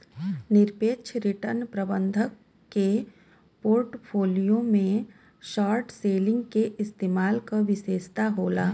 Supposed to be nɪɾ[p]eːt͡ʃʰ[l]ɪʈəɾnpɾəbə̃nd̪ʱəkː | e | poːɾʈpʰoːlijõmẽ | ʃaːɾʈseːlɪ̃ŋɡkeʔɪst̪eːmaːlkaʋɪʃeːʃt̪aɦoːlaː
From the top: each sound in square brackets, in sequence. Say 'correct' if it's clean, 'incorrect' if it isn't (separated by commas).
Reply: correct, incorrect